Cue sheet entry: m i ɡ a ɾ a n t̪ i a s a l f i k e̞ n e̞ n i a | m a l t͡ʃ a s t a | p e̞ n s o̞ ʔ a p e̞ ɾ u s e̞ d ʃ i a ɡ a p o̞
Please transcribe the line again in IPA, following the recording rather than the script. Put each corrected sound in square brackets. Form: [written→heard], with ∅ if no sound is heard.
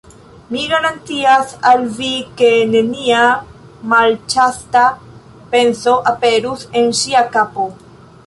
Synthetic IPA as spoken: m i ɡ a ɾ a n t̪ i a s a l [f→v] i k e̞ n e̞ n i a | m a l t͡ʃ a s t a | p e̞ n s o̞ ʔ a p e̞ ɾ u s e̞ [d→n] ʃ i a [ɡ→k] a p o̞